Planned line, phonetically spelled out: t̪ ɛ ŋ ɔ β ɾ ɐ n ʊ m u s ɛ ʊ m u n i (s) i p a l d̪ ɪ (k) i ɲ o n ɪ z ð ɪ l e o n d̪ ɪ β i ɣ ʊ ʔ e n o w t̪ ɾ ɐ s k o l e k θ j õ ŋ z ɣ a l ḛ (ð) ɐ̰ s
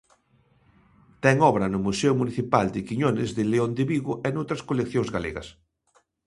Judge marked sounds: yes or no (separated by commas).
no, yes, no